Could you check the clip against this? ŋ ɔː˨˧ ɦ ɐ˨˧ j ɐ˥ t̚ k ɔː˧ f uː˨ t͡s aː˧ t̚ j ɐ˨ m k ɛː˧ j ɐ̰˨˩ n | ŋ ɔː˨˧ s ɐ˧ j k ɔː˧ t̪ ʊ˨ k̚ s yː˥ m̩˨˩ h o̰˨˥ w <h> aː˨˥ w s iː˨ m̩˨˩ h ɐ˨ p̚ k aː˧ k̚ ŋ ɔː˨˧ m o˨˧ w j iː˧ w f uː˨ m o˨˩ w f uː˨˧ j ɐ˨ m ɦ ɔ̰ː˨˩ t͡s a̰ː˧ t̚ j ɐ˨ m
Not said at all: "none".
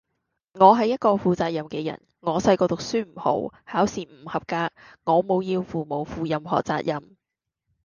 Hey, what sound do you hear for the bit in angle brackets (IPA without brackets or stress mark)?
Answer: h